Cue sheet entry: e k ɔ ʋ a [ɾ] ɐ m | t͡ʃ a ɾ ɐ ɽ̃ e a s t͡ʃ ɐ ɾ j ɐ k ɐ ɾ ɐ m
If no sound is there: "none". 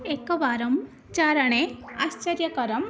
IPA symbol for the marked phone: ɾ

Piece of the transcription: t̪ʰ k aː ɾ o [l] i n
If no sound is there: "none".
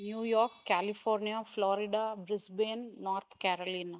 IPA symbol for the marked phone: l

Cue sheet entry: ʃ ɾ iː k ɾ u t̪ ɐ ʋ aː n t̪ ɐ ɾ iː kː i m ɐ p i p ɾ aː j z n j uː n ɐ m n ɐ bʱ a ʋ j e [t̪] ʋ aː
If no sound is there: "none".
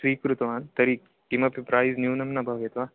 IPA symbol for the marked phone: t̪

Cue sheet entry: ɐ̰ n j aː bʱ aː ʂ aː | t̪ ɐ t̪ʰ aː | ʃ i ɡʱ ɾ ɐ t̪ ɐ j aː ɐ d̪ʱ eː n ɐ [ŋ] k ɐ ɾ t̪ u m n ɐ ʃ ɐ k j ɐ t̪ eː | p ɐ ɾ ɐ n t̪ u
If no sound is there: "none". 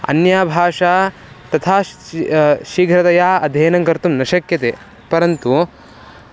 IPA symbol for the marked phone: ŋ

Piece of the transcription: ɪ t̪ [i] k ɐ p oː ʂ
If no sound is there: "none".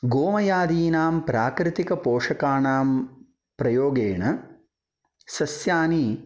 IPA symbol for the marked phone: i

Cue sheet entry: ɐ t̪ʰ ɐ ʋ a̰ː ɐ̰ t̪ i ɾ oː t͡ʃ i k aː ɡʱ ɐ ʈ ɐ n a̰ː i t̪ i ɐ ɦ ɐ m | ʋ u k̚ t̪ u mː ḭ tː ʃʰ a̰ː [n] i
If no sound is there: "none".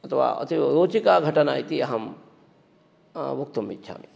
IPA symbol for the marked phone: m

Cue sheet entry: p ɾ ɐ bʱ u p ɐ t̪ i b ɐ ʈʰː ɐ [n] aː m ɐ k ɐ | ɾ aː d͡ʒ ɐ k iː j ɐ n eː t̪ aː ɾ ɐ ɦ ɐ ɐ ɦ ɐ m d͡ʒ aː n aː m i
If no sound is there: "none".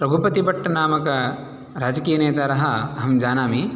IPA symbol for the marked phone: n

